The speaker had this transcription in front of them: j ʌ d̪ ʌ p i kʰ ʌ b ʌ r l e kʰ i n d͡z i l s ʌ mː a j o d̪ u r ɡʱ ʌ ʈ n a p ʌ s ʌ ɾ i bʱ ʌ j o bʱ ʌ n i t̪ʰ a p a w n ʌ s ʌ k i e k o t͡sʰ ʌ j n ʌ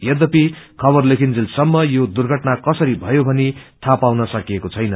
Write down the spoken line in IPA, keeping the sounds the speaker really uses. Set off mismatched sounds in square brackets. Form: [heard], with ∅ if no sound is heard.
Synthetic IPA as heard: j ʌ d̪ ʌ p i kʰ ʌ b ʌ r l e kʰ i n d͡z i l s ʌ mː [ʌ] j o d̪ u r ɡʱ ʌ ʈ n a [k] ʌ s ʌ ɾ i bʱ ʌ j o bʱ ʌ n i t̪ʰ a p a w n ʌ s ʌ k i e k o t͡sʰ ʌ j n ʌ